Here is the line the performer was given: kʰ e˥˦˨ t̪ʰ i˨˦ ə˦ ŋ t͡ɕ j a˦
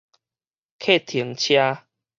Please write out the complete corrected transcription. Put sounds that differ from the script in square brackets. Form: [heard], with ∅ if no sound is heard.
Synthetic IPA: kʰ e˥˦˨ t̪ʰ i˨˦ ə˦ ŋ [t͡ɕʰ] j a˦